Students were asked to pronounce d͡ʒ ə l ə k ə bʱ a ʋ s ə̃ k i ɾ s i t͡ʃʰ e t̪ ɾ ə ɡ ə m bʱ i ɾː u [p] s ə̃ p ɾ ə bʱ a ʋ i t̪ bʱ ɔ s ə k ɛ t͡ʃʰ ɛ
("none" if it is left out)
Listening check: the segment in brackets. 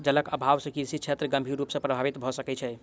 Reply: p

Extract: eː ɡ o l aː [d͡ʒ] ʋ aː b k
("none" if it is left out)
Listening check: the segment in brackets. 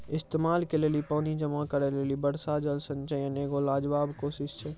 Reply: d͡ʒ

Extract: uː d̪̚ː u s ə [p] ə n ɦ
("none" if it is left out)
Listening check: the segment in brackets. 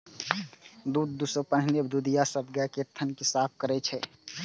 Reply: p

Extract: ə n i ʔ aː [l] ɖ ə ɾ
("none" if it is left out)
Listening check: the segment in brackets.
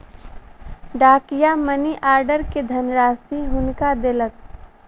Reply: ɾ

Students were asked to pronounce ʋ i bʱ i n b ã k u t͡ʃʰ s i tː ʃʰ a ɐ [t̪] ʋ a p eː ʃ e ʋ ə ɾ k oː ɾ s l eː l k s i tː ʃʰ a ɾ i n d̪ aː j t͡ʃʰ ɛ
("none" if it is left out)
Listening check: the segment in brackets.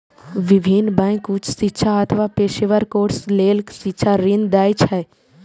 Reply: t̪ʰ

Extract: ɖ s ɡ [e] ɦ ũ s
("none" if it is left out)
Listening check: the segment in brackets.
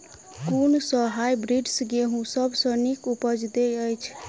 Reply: e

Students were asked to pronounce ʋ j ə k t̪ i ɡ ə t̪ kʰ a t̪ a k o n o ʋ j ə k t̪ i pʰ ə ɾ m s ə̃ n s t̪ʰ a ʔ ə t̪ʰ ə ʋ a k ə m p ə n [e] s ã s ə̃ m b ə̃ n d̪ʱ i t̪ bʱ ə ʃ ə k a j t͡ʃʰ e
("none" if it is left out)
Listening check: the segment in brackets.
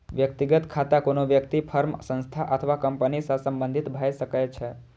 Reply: i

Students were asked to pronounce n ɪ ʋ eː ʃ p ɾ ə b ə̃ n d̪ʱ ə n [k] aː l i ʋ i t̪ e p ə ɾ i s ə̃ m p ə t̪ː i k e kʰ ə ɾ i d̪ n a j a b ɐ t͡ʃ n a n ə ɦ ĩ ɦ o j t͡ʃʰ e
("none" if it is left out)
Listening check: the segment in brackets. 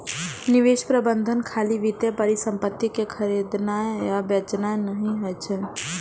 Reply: kʰ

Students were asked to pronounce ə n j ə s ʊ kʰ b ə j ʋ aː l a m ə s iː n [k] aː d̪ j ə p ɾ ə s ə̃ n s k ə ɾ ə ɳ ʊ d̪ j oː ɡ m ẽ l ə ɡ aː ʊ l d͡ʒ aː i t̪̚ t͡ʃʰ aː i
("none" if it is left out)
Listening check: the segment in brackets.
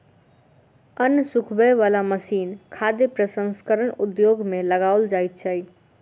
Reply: kʰ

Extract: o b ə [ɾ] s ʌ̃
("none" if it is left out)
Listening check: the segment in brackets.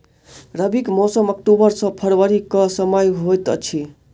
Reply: ɾ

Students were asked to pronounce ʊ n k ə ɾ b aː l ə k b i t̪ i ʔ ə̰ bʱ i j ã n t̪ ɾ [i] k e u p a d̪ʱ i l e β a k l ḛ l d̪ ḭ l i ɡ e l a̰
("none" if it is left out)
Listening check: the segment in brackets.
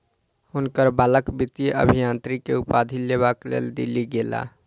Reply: i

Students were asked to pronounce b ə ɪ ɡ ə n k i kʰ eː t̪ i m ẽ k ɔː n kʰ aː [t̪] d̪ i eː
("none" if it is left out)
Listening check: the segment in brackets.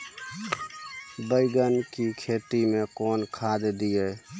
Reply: d̪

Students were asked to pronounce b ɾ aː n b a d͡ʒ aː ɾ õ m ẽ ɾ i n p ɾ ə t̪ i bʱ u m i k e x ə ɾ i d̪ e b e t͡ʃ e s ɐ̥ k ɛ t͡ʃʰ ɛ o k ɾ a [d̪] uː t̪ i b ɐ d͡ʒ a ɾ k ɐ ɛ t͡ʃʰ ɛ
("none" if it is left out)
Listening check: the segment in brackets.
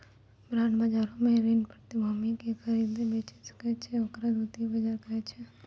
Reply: d̪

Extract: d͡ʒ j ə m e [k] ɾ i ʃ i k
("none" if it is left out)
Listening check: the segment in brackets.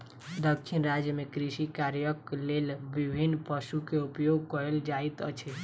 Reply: k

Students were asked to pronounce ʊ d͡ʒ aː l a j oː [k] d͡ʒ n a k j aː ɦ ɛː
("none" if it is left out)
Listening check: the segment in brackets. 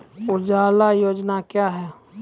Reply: none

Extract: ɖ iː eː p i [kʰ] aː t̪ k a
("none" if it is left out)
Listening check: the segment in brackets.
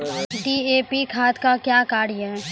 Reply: kʰ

